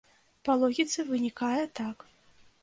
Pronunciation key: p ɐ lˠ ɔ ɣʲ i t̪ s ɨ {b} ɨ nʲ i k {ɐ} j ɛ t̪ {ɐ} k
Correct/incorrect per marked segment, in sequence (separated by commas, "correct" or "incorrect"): incorrect, incorrect, incorrect